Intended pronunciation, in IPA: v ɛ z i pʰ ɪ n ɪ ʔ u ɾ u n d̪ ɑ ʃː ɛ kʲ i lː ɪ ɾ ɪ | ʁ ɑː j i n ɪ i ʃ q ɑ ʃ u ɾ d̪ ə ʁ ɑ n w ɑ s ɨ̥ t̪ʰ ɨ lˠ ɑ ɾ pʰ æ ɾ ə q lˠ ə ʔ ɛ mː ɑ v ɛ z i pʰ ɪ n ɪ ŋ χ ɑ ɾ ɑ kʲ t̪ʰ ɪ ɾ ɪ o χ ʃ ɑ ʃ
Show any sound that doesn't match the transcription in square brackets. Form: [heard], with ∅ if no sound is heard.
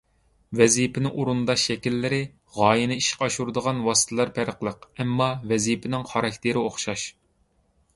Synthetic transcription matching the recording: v ɛ z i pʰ ɪ n ɪ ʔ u ɾ u n d̪ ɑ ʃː ɛ kʲ i lː ɪ ɾ ɪ | ʁ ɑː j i n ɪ i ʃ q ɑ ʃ u ɾ d̪ ə ʁ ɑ n w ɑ s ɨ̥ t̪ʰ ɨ lˠ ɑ ɾ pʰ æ ɾ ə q lˠ ə [q] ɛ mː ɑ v ɛ z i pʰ ɪ n ɪ ŋ χ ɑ ɾ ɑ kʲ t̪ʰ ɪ ɾ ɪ o χ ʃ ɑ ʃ